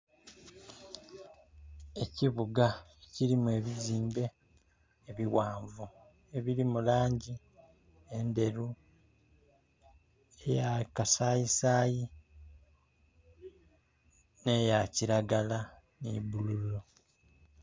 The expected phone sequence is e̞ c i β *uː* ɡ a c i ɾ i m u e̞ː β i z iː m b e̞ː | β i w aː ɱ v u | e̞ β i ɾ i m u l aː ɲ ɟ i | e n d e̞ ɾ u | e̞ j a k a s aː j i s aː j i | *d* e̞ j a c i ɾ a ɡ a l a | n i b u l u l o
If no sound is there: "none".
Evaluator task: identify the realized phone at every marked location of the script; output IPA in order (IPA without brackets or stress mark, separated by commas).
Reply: u, n